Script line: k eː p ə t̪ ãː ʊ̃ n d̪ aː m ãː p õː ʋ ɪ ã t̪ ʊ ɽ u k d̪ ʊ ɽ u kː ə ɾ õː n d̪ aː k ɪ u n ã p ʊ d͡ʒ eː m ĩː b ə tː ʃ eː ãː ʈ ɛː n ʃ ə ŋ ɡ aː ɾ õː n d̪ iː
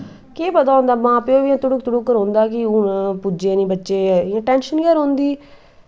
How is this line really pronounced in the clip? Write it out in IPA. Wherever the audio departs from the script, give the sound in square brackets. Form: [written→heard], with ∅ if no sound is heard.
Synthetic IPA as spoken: k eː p ə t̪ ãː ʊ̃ n d̪ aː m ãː p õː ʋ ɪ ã t̪ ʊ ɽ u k [d̪→t̪] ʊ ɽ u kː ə ɾ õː n d̪ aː k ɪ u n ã p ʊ d͡ʒ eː [m→n] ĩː b ə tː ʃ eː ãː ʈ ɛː n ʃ ə [ŋ→n] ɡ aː ɾ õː n d̪ iː